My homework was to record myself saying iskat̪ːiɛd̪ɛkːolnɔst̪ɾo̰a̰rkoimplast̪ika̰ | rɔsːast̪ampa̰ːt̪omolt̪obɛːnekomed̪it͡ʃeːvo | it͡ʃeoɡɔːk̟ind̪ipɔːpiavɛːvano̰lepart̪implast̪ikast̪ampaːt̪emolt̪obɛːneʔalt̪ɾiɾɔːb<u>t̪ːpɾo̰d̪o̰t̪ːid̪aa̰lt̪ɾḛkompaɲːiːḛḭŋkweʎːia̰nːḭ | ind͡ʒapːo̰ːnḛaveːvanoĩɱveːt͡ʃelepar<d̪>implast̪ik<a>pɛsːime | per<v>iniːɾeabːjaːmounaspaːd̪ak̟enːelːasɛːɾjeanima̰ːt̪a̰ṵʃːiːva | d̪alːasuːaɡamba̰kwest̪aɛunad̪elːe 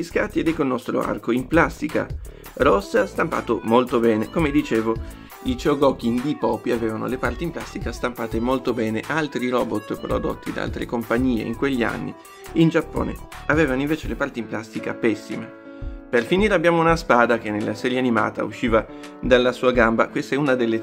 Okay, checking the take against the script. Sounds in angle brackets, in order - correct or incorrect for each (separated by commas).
incorrect, incorrect, correct, incorrect